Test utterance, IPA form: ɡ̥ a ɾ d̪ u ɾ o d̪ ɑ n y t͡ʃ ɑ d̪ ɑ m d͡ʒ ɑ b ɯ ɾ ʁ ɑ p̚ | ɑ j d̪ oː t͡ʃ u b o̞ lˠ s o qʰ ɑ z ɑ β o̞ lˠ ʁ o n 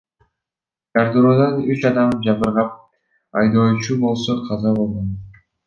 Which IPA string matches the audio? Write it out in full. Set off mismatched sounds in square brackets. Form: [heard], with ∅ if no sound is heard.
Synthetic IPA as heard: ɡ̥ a ɾ d̪ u ɾ o d̪ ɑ n y t͡ʃ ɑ d̪ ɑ m d͡ʒ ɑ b ɯ ɾ ʁ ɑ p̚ | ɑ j d̪ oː t͡ʃ u b o̞ lˠ s o qʰ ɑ z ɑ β o̞ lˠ ʁ o n